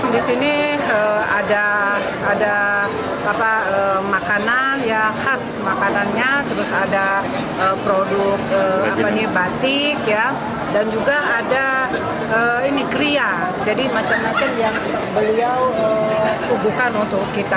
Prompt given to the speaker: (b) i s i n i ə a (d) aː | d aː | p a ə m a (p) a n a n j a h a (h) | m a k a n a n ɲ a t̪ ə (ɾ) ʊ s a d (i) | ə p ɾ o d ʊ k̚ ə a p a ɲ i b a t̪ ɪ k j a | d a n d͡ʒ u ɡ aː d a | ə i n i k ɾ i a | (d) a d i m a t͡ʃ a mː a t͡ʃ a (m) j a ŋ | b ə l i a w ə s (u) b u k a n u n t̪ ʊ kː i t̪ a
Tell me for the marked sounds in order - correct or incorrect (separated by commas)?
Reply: incorrect, correct, incorrect, incorrect, correct, incorrect, incorrect, correct, correct